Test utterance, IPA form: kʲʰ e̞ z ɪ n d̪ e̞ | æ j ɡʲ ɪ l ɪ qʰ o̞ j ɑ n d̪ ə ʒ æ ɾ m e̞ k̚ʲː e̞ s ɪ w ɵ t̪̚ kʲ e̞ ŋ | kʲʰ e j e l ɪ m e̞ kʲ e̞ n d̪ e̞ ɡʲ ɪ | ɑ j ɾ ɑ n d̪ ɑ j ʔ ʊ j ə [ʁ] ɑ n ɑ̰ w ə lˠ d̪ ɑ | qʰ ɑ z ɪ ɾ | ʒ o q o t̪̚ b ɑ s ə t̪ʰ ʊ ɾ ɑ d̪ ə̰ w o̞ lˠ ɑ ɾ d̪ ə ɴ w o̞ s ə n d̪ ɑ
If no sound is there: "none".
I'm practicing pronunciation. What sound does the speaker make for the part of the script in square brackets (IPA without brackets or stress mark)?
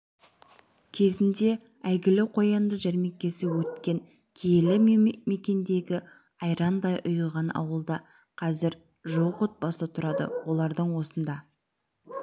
ʁ